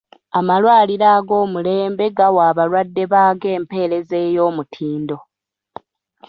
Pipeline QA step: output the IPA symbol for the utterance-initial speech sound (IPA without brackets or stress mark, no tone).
a